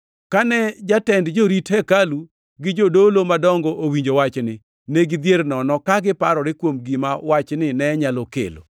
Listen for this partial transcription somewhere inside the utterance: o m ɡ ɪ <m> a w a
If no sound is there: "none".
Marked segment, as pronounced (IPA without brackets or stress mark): m